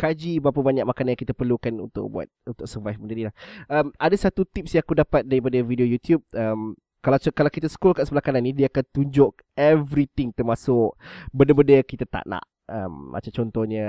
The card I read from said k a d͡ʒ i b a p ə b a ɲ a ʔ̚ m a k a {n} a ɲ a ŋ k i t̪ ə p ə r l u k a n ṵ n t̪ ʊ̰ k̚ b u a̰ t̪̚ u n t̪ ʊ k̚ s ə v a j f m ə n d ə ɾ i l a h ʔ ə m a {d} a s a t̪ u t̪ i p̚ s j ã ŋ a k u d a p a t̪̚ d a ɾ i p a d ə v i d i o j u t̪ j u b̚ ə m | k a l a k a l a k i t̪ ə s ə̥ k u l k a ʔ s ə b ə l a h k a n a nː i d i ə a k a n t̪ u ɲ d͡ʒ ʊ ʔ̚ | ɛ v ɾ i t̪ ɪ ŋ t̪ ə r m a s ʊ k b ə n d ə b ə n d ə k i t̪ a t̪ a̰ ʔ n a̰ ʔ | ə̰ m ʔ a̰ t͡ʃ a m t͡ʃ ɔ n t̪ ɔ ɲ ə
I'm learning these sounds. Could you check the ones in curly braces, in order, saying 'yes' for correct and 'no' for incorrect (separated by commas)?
yes, yes